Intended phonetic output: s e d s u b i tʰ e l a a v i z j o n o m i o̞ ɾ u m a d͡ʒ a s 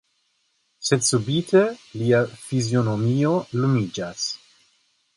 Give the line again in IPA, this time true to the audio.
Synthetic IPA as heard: s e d s u b i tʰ e l i a f i z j o n o m i o̞ l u m i d͡ʒ a s

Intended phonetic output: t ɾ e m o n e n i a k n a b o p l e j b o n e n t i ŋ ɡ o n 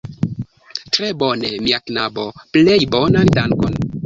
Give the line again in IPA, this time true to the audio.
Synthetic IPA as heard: t ɾ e b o n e m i a k n a b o p l e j b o n a n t a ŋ k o n

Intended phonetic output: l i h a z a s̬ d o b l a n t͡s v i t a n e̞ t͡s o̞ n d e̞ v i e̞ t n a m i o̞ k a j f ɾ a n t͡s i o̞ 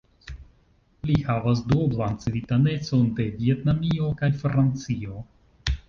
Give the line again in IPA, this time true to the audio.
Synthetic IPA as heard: l i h a v a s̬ d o b l a n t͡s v i t a n e̞ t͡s o̞ n d e̞ v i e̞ t n a m i o̞ k a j f ɾ a n t͡s i o̞

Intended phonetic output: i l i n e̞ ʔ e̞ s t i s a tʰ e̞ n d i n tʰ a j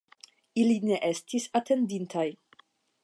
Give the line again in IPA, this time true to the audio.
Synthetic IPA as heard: i l i n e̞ ʔ e̞ s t i s a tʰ e̞ n d i n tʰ a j

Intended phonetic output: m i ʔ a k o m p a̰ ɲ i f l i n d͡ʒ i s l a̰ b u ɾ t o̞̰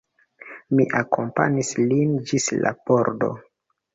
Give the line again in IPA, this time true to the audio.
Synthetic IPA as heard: m i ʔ a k o m p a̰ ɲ i s l i n d͡ʒ i s l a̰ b o ɾ d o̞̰

